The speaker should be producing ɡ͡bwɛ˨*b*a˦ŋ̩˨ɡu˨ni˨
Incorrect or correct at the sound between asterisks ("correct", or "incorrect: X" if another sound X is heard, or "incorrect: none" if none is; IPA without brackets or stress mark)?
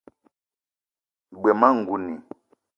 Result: incorrect: m